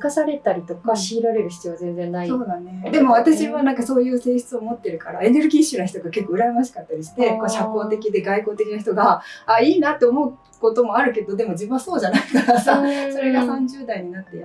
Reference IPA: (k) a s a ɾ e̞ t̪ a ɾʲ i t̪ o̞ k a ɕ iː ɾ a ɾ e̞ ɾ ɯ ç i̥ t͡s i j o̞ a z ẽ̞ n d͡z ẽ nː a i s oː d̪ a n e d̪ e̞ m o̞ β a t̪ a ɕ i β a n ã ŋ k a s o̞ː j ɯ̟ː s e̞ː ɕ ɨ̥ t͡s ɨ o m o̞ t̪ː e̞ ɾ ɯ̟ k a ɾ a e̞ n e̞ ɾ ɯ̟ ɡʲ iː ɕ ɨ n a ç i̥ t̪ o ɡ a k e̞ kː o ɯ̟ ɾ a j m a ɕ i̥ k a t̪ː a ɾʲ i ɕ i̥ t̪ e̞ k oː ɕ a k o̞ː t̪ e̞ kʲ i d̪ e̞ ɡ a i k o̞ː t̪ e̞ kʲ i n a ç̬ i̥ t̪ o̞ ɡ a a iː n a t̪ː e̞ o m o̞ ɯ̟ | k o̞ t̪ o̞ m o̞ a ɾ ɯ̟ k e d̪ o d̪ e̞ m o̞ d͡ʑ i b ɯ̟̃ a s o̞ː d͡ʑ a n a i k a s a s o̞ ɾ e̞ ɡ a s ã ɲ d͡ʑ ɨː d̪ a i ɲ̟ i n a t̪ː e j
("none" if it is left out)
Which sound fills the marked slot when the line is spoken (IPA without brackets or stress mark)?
k